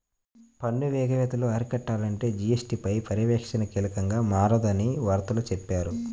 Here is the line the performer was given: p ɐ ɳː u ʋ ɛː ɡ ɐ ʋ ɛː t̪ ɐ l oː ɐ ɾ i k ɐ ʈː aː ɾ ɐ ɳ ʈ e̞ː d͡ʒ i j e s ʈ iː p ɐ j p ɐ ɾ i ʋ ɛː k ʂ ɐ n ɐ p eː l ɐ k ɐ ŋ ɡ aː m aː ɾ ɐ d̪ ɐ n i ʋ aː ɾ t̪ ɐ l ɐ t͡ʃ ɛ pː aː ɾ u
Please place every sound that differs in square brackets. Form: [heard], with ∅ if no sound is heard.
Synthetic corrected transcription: p ɐ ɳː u ʋ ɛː ɡ ɐ ʋ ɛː t̪ ɐ l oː ɐ ɾ i k ɐ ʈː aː [l] ɐ ɳ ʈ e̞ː d͡ʒ i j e s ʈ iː p ɐ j p ɐ ɾ i ʋ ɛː k ʂ ɐ n ɐ [k] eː l ɐ k ɐ ŋ ɡ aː m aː ɾ ɐ d̪ ɐ n i ʋ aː ɾ t̪ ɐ l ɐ t͡ʃ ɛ pː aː ɾ u